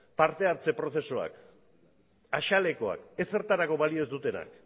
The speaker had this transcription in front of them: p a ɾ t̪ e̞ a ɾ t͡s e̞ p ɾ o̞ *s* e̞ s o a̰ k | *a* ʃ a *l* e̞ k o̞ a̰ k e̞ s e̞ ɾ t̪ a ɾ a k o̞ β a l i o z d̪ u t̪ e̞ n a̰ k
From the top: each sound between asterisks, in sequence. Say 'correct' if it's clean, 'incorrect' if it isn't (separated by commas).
incorrect, correct, correct